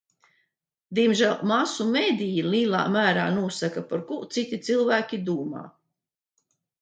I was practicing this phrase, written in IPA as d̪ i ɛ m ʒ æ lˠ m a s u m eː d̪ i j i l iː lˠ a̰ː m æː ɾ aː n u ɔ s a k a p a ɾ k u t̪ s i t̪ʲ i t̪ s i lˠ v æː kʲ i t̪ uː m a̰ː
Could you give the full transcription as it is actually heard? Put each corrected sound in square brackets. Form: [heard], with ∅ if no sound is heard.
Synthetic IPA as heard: d̪ i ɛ m ʒ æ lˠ m a s u m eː d̪ i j i l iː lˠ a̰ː m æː ɾ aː n u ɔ s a k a p a ɾ k u t̪ s i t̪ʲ i t̪ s i lˠ v æː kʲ i [d̪] uː m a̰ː